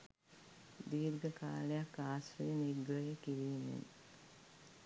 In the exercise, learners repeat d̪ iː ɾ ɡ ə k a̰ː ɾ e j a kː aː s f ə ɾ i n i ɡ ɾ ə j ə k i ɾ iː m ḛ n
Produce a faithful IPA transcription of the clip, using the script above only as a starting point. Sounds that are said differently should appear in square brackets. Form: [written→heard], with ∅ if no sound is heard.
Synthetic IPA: d̪ iː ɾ ɡ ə k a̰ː [ɾ→l] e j a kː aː s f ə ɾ i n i ɡ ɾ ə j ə k i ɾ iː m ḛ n